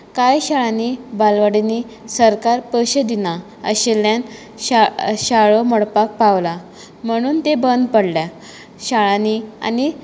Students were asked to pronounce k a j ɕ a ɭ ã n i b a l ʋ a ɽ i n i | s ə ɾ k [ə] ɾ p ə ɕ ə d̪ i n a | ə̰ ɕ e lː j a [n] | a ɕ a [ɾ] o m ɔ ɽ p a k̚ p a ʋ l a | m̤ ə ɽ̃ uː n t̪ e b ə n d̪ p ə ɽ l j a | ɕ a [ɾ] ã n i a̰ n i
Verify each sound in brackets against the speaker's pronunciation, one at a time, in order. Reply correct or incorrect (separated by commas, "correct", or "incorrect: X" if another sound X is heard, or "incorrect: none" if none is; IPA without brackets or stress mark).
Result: incorrect: a, correct, incorrect: ɭ, incorrect: ɭ